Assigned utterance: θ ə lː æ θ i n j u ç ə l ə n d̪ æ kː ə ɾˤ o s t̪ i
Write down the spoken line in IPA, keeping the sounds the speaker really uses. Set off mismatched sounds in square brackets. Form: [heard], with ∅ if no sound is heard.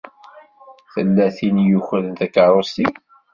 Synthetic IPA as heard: θ ə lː æ θ i n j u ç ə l ə n [t̪] æ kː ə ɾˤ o s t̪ i

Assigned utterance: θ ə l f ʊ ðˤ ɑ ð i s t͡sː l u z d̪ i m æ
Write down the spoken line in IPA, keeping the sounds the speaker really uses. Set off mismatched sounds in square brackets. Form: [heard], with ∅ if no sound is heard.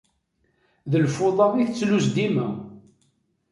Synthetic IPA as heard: [ð] ə l f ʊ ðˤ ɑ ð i [θ] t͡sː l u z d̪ i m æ

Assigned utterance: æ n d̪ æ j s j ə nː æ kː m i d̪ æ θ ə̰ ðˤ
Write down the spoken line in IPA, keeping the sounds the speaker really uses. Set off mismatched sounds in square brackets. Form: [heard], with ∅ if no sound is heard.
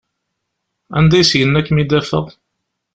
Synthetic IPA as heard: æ n d̪ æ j s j ə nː æ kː m i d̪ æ [f] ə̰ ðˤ

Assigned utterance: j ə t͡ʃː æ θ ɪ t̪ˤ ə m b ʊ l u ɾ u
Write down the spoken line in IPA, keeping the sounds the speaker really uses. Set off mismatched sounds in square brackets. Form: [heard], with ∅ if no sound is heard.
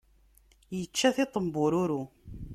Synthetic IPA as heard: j ə t͡ʃː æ θ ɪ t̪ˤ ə m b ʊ [ɾ] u ɾ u

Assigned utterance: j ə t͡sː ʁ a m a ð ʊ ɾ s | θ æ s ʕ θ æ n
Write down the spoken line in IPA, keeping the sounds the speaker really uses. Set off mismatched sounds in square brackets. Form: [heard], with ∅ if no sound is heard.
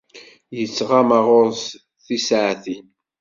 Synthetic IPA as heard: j ə t͡sː ʁ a m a [ʁ] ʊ ɾ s | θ [i] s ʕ θ [i] n

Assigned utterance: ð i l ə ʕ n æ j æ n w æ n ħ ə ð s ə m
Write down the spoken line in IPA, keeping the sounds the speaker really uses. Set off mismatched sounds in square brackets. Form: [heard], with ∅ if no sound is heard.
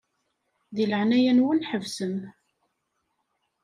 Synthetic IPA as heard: ð i l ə ʕ n æ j æ n w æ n ħ ə [v] s ə m

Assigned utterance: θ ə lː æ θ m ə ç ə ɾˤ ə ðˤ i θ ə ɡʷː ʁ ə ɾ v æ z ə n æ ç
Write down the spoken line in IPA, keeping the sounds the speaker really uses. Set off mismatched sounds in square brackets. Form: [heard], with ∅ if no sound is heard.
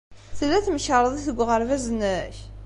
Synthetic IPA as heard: θ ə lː æ θ m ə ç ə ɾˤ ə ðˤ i θ ə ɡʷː ʁ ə ɾ v æ z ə n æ ç

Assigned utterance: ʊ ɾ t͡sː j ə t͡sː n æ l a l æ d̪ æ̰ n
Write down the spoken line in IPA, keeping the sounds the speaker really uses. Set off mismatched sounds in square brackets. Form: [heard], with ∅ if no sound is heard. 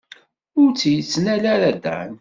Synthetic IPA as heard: ʊ ɾ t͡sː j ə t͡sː n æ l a [ɾ] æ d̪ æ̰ n

